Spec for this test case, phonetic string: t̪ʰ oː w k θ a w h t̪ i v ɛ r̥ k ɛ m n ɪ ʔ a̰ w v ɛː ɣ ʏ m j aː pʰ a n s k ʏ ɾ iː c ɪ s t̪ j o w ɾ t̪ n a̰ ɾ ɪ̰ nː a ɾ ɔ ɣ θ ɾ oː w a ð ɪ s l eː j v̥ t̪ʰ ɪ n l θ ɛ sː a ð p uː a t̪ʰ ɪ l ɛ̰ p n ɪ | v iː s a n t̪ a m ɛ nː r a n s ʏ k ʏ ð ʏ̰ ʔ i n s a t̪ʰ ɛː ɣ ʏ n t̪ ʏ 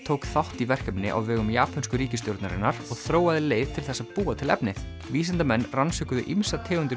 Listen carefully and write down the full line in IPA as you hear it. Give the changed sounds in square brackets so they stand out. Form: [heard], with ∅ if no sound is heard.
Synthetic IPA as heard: t̪ʰ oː w k θ a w h t̪ i v ɛ r̥ k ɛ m n ɪ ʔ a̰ w v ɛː ɣ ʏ m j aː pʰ a n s k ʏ ɾ iː c ɪ s t̪ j o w ɾ t̪ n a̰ ɾ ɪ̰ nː a ɾ ɔ ɣ θ ɾ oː w a ð ɪ [∅] l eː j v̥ t̪ʰ ɪ [∅] l θ ɛ sː a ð p uː a t̪ʰ ɪ l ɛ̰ p n ɪ | v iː s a n t̪ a m ɛ nː r a n s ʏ k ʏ ð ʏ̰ ʔ i [m] s a t̪ʰ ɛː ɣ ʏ n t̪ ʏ

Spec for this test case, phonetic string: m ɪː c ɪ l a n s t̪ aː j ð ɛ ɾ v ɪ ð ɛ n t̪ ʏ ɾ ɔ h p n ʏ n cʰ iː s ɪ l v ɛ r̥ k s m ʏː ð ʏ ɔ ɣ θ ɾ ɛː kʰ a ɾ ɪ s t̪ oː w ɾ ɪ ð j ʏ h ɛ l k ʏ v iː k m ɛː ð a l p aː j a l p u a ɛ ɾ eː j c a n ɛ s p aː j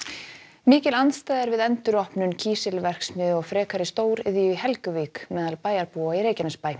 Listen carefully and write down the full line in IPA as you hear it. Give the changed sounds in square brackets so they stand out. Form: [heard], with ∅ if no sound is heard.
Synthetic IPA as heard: m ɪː c ɪ l a n s t̪ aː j ð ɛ ɾ v ɪ ð ɛ n t̪ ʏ ɾ ɔ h p n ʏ n cʰ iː s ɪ l v ɛ r̥ k s m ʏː ð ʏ ɔ ɣ [f] ɾ ɛː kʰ a ɾ ɪ s t̪ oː w ɾ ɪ ð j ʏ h ɛ l k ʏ v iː k m ɛː ð a l p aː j a [ɾ] p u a [i] ɾ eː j c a n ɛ s p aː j

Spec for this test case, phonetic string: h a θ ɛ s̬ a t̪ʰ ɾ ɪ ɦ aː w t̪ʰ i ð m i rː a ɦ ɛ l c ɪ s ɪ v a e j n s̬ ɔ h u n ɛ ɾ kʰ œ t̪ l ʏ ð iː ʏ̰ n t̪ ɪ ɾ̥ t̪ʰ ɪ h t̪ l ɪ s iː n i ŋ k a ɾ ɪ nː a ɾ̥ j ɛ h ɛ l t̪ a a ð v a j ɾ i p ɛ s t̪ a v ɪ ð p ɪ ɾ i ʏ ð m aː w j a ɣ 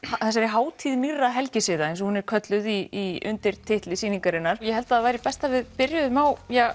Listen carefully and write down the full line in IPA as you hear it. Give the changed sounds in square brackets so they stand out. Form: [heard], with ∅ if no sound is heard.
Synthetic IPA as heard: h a θ ɛ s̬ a [∅] ɾ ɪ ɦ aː w t̪ʰ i ð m i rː a ɦ ɛ l c ɪ s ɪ [ð] a e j n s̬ ɔ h u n ɛ ɾ kʰ œ t̪ l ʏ ð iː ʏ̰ n t̪ ɪ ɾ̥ t̪ʰ ɪ h t̪ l ɪ s iː n i ŋ k a ɾ ɪ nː a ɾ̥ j ɛ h ɛ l t̪ a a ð v a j ɾ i p ɛ s t̪ a v ɪ ð p ɪ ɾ [j] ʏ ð m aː w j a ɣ

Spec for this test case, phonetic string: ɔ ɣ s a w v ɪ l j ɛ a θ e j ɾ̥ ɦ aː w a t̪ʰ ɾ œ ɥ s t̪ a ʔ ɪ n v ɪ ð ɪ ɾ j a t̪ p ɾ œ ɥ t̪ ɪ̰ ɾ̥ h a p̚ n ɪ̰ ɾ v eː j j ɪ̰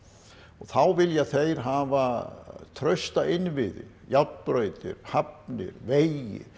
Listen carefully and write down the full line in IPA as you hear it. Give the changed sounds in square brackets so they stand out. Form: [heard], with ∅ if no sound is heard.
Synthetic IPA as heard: ɔ ɣ [θ] a w v ɪ l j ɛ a θ e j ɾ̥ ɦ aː [v] a t̪ʰ ɾ œ ɥ s t̪ a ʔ ɪ n v ɪ ð ɪ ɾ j a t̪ p ɾ œ ɥ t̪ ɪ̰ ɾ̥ h a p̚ n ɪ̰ ɾ v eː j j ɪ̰

